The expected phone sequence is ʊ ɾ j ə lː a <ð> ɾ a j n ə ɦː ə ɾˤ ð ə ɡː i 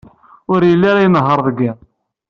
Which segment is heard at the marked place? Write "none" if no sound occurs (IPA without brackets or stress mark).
none